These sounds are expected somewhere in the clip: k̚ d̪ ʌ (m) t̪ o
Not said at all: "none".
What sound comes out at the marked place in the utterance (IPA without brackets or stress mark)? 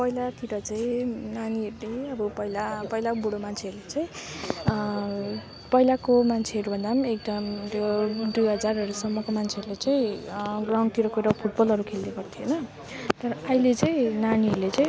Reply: m